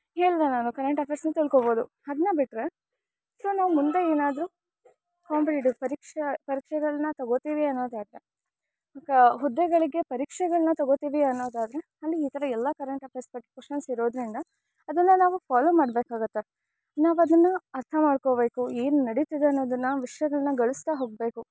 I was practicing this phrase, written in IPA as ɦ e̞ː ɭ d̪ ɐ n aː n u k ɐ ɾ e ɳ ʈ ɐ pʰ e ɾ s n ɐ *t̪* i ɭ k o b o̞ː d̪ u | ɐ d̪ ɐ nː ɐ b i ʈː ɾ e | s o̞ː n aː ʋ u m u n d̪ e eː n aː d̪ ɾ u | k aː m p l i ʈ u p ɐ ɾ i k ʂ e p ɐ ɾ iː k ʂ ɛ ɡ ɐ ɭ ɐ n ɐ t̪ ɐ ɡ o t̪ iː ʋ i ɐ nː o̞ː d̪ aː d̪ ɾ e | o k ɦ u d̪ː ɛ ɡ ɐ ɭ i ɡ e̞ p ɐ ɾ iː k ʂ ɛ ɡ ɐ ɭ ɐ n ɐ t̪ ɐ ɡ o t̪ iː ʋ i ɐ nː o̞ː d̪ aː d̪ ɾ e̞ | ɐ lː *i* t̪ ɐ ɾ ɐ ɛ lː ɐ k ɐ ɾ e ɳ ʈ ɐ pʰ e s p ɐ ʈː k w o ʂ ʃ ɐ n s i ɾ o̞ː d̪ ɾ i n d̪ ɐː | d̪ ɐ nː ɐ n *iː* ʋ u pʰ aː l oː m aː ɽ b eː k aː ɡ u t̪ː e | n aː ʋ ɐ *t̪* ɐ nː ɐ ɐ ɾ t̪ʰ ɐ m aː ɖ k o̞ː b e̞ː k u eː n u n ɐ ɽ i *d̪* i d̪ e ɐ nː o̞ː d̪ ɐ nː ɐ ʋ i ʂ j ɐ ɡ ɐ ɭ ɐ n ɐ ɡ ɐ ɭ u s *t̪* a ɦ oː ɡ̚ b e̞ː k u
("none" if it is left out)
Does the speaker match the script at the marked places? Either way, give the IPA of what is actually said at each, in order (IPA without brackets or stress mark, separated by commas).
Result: t̪, iː, aː, d̪, t̪, t̪